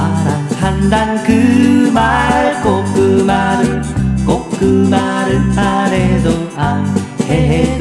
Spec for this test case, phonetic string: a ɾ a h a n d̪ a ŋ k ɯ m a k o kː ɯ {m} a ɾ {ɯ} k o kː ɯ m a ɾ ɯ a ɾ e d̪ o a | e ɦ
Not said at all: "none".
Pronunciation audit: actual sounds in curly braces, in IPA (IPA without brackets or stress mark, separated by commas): m, ɯ